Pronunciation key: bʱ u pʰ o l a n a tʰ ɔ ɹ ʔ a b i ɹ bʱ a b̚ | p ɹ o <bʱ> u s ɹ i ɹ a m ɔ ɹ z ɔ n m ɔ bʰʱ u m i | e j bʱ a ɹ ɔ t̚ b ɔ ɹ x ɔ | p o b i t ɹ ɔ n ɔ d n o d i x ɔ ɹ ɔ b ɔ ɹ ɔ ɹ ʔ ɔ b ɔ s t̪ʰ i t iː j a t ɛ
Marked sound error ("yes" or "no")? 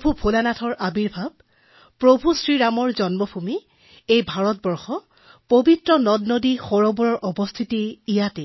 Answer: no